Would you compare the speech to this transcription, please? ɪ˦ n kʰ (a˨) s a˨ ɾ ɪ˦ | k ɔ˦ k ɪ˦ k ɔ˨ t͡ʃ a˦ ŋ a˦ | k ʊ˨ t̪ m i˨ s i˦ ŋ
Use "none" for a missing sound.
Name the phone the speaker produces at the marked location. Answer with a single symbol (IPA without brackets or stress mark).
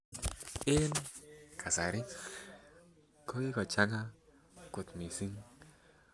a˨